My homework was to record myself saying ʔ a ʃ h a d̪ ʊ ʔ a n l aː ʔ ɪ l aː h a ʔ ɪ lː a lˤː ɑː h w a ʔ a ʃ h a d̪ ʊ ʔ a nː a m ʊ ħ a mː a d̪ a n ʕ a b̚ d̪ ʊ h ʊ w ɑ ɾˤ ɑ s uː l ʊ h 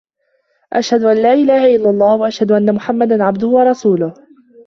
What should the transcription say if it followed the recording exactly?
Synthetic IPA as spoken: ʔ a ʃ h a d̪ ʊ ʔ a n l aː ʔ ɪ l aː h a ʔ ɪ lː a lˤː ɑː h w a ʔ a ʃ h a d̪ ʊ ʔ a nː a m ʊ ħ a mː a d̪ a n ʕ a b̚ d̪ ʊ h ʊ w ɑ ɾˤ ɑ s uː l ʊ h